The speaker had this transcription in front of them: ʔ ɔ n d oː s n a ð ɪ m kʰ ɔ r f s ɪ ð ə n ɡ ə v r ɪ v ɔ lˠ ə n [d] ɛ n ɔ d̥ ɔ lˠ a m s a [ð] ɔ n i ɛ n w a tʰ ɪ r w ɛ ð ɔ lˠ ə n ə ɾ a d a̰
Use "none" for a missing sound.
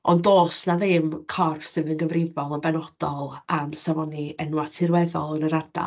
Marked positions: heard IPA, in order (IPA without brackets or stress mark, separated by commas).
b, v